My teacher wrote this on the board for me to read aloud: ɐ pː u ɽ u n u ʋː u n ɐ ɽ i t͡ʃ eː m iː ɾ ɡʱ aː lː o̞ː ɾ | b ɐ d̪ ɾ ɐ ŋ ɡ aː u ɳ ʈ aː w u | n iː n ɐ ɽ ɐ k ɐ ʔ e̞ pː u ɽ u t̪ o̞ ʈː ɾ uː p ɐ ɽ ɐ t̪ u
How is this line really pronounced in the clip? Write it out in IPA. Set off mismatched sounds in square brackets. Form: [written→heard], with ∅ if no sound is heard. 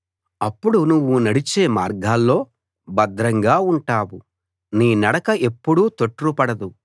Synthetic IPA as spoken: ɐ pː u ɽ u n u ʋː u n ɐ ɽ i t͡ʃ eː m [iː→aː] ɾ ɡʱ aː lː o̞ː [ɾ→∅] | b ɐ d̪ ɾ ɐ ŋ ɡ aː u ɳ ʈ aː w u | n iː n ɐ ɽ ɐ k ɐ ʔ e̞ pː u ɽ u t̪ o̞ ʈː ɾ [uː→u] p ɐ ɽ ɐ [t̪→d̪] u